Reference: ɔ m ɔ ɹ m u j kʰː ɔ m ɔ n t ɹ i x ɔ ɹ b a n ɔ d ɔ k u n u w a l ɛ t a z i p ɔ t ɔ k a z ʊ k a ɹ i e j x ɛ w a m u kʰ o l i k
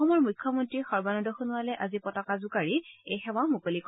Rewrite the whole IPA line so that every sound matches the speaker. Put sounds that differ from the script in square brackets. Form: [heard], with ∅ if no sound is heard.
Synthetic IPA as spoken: ɔ m ɔ ɹ m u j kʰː ɔ m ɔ n t ɹ i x ɔ ɹ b a n ɔ d ɔ [x] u n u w a l ɛ [ʔ] a z i p ɔ t ɔ k a z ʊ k a ɹ i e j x ɛ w a m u [k] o l i k

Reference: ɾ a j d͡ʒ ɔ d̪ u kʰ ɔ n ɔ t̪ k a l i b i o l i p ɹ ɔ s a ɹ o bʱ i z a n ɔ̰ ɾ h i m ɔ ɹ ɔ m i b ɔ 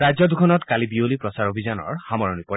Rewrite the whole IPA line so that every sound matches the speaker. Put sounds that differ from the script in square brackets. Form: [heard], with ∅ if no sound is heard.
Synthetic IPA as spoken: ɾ a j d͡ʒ ɔ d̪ u kʰ ɔ n ɔ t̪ k a l i b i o l i p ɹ ɔ s a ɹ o bʱ i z a n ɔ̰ [ɹ] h [a] m ɔ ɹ ɔ [n] i [p] ɔ

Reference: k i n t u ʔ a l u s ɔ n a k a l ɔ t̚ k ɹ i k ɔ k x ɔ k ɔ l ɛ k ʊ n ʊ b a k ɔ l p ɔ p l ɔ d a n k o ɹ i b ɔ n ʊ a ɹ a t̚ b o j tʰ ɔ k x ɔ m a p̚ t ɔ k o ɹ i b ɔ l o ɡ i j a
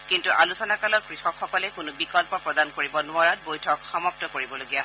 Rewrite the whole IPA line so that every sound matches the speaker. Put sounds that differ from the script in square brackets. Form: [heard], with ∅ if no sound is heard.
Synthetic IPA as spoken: k i n t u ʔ a l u s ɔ n a k a l ɔ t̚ k ɹ i [x] ɔ k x ɔ k ɔ l ɛ k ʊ n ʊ b [i] k ɔ l p ɔ p [ɹ] ɔ d a n k o ɹ i b ɔ n ʊ a ɹ a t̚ b o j tʰ ɔ k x ɔ m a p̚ t ɔ k o ɹ i b ɔ l o ɡ i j a

